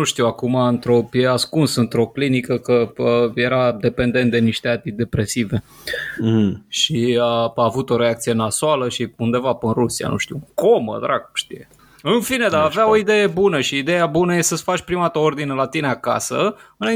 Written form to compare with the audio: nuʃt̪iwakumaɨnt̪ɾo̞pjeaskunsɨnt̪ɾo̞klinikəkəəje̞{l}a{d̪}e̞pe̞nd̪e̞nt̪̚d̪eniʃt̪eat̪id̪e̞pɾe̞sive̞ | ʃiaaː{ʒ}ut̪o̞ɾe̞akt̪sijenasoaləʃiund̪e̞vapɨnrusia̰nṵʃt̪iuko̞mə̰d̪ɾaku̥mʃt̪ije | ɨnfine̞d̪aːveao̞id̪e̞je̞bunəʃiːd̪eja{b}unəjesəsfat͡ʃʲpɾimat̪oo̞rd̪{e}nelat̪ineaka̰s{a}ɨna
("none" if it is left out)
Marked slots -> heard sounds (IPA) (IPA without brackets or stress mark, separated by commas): ɾ, d̪, v, b, i, ə